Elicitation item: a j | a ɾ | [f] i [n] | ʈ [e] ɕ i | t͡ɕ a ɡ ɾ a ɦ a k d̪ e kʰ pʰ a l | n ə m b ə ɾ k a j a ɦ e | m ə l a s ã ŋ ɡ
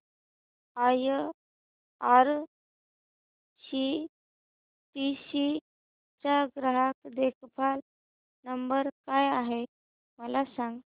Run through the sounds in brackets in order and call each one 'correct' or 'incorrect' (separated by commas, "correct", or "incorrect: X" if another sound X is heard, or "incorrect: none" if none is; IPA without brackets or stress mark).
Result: incorrect: ɕ, incorrect: none, incorrect: i